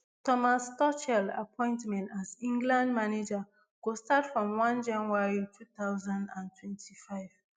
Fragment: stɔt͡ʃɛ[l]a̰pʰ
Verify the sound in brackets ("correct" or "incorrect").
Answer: correct